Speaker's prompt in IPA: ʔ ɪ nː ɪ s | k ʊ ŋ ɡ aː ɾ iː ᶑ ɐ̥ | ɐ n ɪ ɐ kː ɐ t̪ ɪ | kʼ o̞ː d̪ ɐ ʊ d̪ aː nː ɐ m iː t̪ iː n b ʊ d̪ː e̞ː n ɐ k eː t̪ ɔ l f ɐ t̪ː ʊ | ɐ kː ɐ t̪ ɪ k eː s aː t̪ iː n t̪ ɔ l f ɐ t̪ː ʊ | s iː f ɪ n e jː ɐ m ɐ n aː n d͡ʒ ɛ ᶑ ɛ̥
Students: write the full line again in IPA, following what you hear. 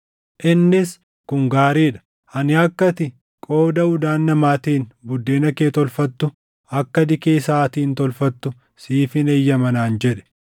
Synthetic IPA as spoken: ʔ ɪ nː ɪ s | k ʊ ŋ ɡ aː ɾ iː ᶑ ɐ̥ | ɐ n ɪ ɐ kː ɐ t̪ ɪ | kʼ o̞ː d̪ ɐ ʊ d̪ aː nː ɐ m aː t̪ iː n b ʊ d̪ː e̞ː n ɐ k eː t̪ ɔ l f ɐ t̪ː ʊ | ɐ kː ɐ d̪ ɪ k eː s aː t̪ iː n t̪ ɔ l f ɐ t̪ː ʊ | s iː f ɪ n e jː ɐ m ɐ n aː n d͡ʒ ɛ ᶑ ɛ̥